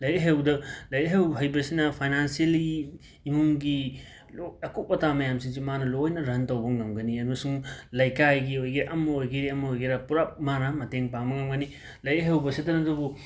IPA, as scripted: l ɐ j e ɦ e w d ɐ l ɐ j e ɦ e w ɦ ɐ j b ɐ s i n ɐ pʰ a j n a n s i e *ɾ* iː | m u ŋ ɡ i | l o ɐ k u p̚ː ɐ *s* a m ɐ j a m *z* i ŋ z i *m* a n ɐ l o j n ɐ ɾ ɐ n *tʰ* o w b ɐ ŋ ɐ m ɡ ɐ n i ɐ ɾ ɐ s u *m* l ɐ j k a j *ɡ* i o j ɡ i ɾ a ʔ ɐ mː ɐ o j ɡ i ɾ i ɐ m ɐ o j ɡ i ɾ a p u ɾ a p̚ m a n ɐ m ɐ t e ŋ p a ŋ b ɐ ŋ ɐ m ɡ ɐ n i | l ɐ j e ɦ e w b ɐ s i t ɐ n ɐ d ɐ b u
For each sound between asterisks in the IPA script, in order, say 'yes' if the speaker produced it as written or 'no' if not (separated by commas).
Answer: no, no, no, yes, no, no, yes